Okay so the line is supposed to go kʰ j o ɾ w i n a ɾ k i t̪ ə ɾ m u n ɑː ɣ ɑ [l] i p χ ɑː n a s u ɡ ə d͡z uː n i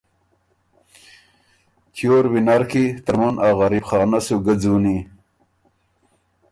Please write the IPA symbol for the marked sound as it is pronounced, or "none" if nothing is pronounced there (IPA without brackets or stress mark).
ɾ